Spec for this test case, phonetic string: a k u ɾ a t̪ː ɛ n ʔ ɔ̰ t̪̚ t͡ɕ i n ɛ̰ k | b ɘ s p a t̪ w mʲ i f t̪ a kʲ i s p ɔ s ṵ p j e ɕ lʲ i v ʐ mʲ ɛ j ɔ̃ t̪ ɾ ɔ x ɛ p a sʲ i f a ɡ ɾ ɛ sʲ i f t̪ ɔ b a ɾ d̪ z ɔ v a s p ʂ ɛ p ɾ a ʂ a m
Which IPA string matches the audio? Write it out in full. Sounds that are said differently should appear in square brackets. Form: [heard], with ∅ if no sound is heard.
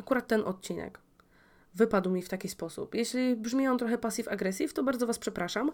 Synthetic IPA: a k u ɾ a t̪ː ɛ n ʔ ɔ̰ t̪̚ t͡ɕ i n ɛ̰ k | [v] ɘ [∅] p a [d̪] w mʲ i f t̪ a kʲ i s p ɔ s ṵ p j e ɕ lʲ i [b] ʐ mʲ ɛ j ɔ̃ t̪ ɾ ɔ x ɛ p a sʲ i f a ɡ ɾ ɛ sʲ i f t̪ ɔ b a ɾ d̪ z ɔ v a s p ʂ ɛ p ɾ a ʂ a m